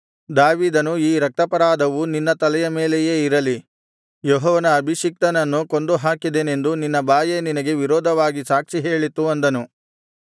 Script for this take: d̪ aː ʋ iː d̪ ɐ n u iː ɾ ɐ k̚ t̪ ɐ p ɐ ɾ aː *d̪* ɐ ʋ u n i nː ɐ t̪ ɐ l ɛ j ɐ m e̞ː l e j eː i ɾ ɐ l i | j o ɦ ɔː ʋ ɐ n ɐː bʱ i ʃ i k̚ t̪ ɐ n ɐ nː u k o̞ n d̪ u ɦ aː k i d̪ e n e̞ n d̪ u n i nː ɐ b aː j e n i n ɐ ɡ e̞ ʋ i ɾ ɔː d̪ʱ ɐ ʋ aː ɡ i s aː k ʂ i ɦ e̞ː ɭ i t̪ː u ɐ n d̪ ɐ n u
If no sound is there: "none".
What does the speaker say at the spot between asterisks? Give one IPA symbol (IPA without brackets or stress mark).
d̪